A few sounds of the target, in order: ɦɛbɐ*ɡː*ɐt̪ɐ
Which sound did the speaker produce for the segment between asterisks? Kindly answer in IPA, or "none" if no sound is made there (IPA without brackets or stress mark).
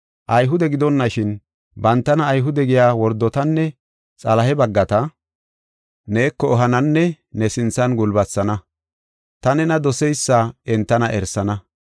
ɡː